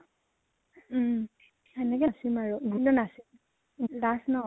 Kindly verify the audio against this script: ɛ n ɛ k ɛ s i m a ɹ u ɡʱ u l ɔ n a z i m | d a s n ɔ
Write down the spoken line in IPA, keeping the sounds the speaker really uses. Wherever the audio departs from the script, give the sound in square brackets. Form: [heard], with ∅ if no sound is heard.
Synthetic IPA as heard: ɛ n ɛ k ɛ s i m a ɹ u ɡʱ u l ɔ n a [s] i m | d a s n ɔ